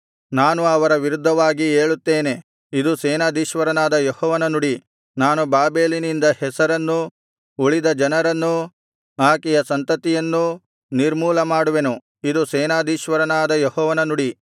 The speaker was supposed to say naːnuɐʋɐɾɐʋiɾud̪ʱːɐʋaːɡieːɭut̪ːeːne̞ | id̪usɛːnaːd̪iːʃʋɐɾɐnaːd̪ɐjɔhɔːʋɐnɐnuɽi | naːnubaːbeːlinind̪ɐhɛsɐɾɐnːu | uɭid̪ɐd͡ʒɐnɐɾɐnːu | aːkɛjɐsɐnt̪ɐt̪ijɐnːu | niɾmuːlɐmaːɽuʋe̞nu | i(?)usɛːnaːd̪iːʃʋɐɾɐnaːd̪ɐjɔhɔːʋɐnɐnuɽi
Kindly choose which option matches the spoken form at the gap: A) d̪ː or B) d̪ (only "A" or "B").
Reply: B